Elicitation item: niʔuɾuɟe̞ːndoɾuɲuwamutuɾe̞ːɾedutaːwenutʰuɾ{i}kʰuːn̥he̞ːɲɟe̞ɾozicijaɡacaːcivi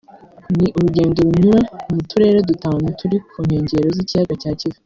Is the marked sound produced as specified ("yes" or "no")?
yes